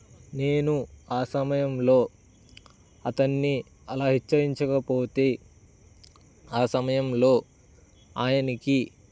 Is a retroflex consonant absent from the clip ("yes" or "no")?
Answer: yes